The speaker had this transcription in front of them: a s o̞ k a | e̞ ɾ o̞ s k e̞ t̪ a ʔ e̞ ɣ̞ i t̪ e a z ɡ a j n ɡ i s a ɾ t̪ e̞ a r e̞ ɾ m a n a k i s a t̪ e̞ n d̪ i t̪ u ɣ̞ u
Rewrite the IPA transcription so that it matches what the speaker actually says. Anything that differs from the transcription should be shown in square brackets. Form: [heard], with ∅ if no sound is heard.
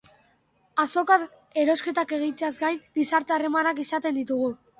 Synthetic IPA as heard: a s o̞ k a | e̞ ɾ o̞ s k e̞ t̪ a [k] e̞ ɣ̞ i t̪ e a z ɡ a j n ɡ i s a ɾ t̪ e̞ a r e̞ [∅] m a n a k i s a t̪ e̞ n d̪ i t̪ u ɣ̞ u